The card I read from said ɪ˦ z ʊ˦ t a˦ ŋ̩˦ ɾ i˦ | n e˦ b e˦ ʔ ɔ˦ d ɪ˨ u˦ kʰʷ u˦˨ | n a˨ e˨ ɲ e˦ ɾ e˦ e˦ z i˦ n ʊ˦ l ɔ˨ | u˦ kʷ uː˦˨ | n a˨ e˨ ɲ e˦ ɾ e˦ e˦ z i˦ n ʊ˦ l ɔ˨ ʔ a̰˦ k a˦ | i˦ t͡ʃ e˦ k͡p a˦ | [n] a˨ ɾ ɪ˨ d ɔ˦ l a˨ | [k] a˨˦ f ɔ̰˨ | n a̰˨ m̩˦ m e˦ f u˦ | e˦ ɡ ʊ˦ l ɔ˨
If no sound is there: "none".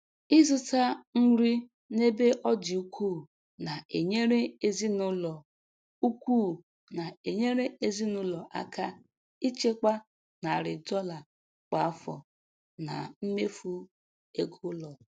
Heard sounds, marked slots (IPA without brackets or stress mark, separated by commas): n, k͡p